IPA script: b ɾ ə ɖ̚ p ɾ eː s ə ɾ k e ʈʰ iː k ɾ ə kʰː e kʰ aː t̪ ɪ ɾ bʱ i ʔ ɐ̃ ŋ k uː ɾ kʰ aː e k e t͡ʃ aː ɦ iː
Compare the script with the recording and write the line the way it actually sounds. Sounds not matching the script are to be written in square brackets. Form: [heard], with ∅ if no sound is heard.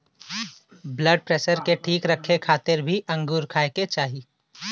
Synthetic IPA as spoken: b [l] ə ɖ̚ p ɾ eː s ə ɾ k e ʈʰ iː k ɾ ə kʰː e kʰ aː t̪ ɪ ɾ bʱ i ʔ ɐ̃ ŋ [ɡ] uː ɾ kʰ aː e k e t͡ʃ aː ɦ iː